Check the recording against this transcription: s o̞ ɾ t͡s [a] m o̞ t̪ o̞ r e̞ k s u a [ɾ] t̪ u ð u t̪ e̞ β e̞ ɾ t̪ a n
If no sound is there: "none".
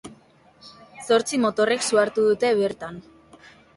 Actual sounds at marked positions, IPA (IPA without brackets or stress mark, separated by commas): i, ɾ